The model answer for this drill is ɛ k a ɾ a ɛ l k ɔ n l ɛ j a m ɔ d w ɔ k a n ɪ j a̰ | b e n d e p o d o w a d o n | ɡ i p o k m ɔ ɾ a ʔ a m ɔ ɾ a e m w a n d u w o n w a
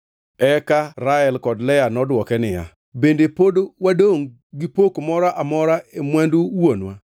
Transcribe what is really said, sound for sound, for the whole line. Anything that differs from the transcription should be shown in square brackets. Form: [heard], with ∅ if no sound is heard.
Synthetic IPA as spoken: ɛ k a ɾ a ɛ l k ɔ [d] l ɛ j a [n] ɔ d w ɔ k [ɛ] n ɪ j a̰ | b e n d e p o d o w a d o [ŋ] | ɡ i p o k m ɔ ɾ a ʔ a m ɔ ɾ a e m w a n d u w o n w a